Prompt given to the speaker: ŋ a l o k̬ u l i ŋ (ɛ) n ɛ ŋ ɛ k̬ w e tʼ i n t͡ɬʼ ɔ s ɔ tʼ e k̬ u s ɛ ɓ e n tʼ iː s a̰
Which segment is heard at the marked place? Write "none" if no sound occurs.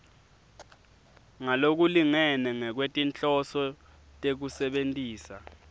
ɛ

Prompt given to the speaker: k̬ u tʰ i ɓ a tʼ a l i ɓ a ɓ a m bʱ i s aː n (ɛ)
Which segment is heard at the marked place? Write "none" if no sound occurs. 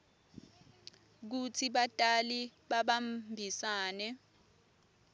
ɛ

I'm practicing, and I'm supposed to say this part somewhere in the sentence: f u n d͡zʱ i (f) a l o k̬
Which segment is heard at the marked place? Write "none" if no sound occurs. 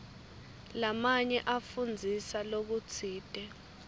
s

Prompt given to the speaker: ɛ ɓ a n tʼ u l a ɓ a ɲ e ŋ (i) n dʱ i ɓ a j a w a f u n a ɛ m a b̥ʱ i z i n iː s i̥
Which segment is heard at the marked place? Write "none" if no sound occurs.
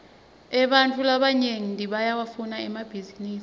i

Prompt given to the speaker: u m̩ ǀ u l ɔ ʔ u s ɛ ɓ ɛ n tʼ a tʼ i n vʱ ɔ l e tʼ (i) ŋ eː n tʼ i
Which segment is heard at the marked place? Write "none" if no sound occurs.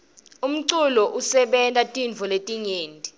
i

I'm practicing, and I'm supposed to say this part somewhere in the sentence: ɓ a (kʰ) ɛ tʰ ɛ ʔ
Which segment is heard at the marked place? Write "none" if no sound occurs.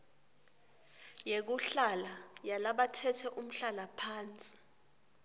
tʰ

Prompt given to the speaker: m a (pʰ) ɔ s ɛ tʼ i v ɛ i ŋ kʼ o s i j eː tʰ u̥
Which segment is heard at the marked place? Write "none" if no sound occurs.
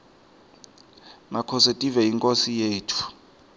kʰ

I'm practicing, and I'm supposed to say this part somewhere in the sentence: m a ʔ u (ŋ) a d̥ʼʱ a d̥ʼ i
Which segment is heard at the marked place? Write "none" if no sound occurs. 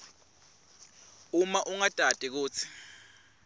ŋ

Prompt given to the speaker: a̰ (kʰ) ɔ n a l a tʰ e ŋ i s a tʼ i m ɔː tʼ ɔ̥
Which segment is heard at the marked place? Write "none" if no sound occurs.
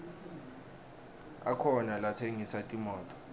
kʰ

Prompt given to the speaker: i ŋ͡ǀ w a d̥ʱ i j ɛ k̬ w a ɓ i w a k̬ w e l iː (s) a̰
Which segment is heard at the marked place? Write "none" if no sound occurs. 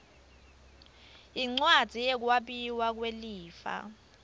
f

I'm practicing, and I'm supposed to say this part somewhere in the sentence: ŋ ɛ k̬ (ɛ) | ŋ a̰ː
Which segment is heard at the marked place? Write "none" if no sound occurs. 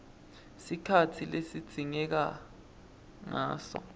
a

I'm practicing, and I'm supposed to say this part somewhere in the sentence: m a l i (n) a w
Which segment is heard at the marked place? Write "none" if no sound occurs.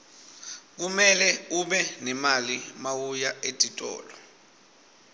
m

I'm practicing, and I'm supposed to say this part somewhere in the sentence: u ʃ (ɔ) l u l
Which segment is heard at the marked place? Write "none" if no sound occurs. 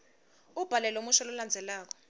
ɔ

